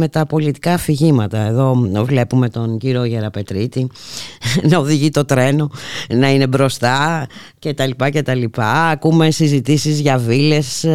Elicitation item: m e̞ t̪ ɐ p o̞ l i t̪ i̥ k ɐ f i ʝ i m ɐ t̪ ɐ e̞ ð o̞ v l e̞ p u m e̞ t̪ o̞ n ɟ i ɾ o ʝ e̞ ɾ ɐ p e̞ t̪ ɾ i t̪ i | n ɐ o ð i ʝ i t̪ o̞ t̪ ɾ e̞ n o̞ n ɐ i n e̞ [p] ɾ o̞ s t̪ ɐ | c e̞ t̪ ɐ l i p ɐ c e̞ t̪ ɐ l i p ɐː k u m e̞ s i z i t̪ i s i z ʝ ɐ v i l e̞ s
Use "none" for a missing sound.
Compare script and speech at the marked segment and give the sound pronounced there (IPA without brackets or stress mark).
b